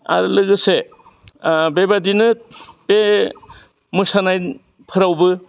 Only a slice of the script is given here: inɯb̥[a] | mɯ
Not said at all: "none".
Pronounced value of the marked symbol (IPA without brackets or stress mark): e